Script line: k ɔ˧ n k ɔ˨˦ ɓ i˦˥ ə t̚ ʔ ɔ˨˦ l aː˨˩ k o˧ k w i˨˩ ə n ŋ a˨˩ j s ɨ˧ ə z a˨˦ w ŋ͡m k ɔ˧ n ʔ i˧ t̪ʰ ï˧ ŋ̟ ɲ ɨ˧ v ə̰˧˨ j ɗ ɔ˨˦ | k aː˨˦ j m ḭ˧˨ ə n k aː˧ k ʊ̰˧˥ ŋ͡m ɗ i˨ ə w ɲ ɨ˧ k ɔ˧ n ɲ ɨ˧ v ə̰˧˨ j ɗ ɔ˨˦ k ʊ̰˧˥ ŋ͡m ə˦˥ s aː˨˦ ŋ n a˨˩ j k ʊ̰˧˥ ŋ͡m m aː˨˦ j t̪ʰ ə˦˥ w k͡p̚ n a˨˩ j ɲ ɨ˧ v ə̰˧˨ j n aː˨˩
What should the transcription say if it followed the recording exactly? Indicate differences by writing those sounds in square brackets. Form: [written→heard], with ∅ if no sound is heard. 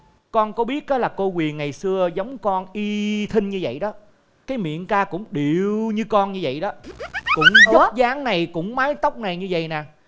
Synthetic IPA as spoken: k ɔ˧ n k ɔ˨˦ ɓ i˦˥ ə t̚ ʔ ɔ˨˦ l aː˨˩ k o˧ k w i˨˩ ə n ŋ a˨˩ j s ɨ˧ ə z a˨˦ w ŋ͡m k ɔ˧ n ʔ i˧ t̪ʰ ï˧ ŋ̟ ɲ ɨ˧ v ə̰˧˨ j ɗ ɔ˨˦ | k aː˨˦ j m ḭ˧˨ ə n k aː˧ k ʊ̰˧˥ ŋ͡m ɗ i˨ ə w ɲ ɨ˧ k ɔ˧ n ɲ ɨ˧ v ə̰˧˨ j ɗ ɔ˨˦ k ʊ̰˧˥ ŋ͡m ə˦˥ [s→z] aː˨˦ ŋ n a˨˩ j k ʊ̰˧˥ ŋ͡m m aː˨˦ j [t̪ʰ→t̪] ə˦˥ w k͡p̚ n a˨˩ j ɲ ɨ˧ v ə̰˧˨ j n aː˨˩